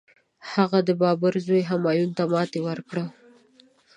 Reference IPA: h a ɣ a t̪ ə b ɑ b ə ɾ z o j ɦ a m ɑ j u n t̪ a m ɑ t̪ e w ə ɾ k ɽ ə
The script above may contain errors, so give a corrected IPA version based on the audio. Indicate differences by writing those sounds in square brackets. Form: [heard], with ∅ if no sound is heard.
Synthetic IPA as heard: h a ɣ a [d̪] ə b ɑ b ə ɾ z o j ɦ a m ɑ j u n t̪ a m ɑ t̪ e w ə ɾ k ɽ ə